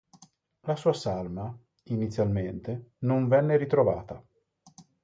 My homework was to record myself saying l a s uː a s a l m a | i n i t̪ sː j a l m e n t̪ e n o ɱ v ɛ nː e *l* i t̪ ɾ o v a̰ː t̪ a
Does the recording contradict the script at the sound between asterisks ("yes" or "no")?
yes